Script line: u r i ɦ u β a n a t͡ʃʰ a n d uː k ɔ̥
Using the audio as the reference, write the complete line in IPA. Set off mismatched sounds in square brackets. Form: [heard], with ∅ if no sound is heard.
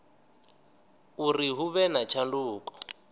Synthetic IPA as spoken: u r i ɦ u β [ɛ] n a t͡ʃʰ a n d uː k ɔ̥